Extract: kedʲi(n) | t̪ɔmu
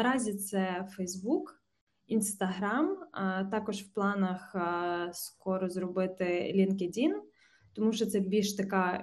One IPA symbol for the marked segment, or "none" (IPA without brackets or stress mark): n